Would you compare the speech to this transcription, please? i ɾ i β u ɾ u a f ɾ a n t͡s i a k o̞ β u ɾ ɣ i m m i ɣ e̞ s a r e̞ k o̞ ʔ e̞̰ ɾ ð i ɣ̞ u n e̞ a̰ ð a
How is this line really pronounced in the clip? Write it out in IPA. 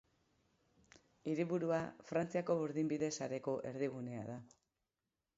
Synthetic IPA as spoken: i ɾ i β u ɾ u a f ɾ a n t͡s i a k o̞ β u ɾ ð i m b i ð e̞ s a ɾ e̞ k o̞ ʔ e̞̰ ɾ ð i ɣ̞ u n e̞ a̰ ð a

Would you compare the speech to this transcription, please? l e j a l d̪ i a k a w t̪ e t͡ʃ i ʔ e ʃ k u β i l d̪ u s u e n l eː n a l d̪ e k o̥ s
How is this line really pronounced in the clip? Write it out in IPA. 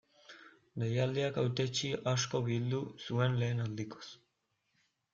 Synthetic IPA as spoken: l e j a l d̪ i a k a w t̪ e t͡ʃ i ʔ a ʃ k o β i l d̪ u s u e n l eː n a l d̪ i k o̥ s

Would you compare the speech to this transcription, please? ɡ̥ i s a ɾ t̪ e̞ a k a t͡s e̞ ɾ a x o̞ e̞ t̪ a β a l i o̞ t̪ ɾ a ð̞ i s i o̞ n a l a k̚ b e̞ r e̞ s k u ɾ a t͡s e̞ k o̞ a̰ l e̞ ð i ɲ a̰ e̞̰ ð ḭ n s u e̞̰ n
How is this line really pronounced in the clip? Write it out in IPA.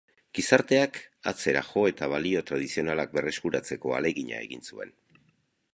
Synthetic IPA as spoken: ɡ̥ i s a ɾ t̪ e̞ a k a t͡s e̞ ɾ a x o̞ e̞ t̪ a β a l i o̞ t̪ ɾ a ð̞ i s i o̞ n a l a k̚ b e̞ r e̞ s k u ɾ a t͡s e̞ k o̞ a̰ l e̞ ɣ i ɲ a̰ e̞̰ ɣ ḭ n s u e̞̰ n

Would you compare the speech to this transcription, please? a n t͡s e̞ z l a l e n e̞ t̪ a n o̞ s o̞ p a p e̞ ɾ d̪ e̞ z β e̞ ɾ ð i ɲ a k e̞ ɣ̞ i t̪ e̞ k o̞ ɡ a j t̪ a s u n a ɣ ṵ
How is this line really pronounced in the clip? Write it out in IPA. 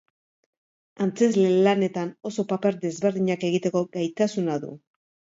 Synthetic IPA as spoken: a n t͡s e̞ z l e l a n e̞ t̪ a n o̞ s o̞ p a p e̞ ɾ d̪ e̞ z β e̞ ɾ ð i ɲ a k e̞ ɣ̞ i t̪ e̞ k o̞ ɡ a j t̪ a s u n a ð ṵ

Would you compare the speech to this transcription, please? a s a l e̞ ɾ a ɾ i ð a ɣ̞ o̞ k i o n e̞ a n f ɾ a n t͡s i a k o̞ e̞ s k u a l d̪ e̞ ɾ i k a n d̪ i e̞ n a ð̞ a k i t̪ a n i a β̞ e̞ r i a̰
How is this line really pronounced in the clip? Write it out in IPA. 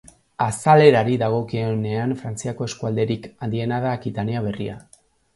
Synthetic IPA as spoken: a s a l e̞ ɾ a ɾ i ð a ɣ̞ o̞ k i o n e̞ a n f ɾ a n t͡s i a k o̞ e̞ s k u a l d̪ e̞ ɾ i k a n d̪ i e̞ n a ð̞ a k i t̪ a n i a β̞ e̞ r i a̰

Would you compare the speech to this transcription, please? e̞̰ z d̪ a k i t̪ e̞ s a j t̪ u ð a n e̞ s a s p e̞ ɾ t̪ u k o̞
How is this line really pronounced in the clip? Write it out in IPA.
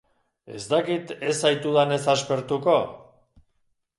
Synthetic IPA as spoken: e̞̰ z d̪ a k i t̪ e̞ s a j t̪ u ð a n e̞ s a s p e̞ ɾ t̪ u k o̞

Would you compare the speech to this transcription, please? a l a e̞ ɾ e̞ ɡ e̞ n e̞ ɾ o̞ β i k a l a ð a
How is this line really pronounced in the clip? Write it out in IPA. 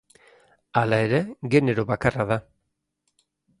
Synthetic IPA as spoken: a l a e̞ ɾ e̞ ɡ e̞ n e̞ ɾ o̞ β a k a r a ð a

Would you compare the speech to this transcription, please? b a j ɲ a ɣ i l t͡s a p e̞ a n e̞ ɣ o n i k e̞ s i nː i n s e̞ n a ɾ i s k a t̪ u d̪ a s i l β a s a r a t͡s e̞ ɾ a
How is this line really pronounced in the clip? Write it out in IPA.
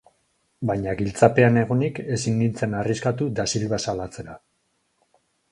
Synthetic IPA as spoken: b a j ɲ a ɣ i l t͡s a p e̞ a n e̞ ɣ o n i k e̞ s i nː i n t͡s e̞ n a r i s k a t̪ u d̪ a s i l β a s a l a t͡s e̞ ɾ a

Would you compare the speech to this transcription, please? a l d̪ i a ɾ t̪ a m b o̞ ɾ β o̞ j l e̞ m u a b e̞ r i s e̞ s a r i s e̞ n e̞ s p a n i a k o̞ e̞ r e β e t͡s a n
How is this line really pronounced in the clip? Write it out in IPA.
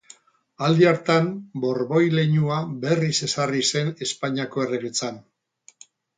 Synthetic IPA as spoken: a l d̪ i a ɾ t̪ a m b o̞ ɾ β o̞ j l e̞ ɲ u a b e̞ r i s e̞ s a r i s e̞ n e̞ s p a ɲ i a k o̞ e̞ r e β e t͡s a n

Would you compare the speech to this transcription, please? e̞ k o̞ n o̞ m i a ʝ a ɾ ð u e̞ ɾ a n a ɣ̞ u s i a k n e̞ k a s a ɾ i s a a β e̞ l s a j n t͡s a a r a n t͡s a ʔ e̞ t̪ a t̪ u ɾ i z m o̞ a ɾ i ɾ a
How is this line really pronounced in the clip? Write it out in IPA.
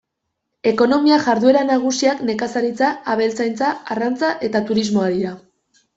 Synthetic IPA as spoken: e̞ k o̞ n o̞ m i a ʝ a ɾ ð u e̞ ɾ a n a ɣ̞ u s i a k n e̞ k a s a ɾ i t͡s a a β e̞ l t͡s a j n t͡s a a r a n t͡s a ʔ e̞ t̪ a t̪ u ɾ i z m o̞ a ɾ i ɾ a

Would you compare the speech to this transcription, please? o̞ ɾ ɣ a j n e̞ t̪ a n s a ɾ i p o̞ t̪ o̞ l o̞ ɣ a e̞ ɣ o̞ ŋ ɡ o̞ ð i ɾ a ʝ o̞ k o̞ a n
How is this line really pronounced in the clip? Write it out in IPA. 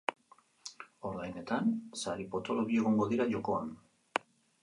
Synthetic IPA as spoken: o̞ ɾ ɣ a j n e̞ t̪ a n s a ɾ i p o̞ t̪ o̞ l o̞ ɣ i e̞ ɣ o̞ ŋ ɡ o̞ ð i ɾ a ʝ o̞ k o̞ a n

